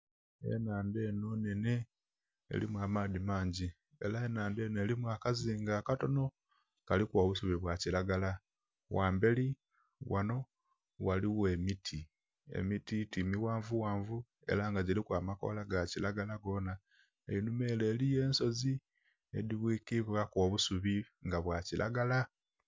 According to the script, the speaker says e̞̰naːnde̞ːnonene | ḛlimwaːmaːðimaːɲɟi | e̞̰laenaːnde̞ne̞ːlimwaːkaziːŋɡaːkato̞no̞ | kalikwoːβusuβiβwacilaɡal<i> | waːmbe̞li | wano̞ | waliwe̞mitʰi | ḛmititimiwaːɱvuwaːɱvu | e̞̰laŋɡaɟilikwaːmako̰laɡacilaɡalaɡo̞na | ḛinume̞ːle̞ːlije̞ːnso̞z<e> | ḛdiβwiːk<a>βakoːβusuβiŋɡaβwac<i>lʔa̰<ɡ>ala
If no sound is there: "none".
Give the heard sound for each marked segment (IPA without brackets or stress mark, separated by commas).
a, i, i, i, ɡ